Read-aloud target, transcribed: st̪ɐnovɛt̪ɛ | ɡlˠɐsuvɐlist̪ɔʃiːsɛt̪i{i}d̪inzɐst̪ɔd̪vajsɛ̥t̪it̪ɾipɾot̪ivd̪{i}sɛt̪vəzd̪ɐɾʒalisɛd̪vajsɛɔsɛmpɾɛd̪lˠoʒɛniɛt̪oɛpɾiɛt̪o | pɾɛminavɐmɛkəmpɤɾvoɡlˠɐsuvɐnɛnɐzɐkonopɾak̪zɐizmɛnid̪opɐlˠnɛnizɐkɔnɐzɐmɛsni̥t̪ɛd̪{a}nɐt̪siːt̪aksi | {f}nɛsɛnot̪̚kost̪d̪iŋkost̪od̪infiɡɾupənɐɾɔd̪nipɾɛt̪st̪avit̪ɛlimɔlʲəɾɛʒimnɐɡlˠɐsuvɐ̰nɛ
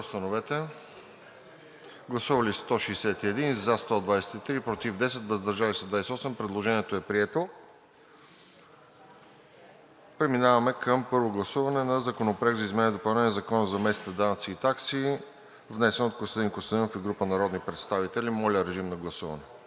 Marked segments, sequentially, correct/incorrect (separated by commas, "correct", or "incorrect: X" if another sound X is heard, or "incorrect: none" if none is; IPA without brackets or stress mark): incorrect: ɛ, incorrect: ɛ, correct, incorrect: v